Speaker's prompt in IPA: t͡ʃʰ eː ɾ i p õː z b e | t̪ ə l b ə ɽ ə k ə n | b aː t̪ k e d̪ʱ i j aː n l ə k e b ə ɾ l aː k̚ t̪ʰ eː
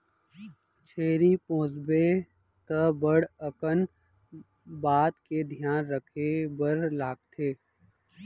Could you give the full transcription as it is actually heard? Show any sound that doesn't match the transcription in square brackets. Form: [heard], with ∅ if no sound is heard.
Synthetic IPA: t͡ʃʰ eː ɾ i p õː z b e | t̪ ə [∅] b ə ɽ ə k ə n | b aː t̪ k e d̪ʱ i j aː n [ɾ] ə [kʰ] e b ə ɾ l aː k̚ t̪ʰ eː